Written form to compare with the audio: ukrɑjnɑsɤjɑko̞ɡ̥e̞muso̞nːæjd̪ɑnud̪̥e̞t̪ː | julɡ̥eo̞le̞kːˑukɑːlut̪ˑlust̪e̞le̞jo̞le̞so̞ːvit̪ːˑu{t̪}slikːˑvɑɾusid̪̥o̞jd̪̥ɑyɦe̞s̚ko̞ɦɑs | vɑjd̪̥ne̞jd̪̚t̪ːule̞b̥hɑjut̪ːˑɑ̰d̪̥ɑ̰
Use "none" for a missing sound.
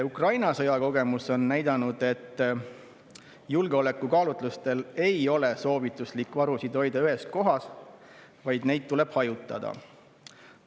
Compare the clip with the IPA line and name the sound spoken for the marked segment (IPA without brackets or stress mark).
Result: none